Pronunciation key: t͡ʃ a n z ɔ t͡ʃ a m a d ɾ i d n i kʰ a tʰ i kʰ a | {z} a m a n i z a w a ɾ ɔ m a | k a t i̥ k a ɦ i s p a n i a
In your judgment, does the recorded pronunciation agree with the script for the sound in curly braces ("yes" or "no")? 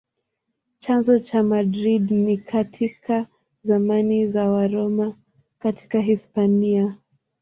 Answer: yes